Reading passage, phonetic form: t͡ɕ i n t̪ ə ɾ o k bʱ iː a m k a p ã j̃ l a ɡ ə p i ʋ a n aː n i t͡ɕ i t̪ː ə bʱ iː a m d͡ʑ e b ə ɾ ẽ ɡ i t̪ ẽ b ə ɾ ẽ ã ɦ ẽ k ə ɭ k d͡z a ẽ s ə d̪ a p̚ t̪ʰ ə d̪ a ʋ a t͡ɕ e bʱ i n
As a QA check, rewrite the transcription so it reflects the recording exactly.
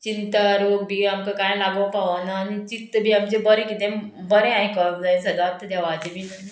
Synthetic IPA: t͡ɕ i n t̪ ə ɾ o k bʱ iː a m k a k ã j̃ l a ɡ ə p a ʋ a n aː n i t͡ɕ i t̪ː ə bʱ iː a m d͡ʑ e b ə ɾ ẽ k i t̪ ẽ b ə ɾ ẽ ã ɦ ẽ k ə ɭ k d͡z a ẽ s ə d̪ a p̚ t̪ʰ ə d̪ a ʋ a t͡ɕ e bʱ i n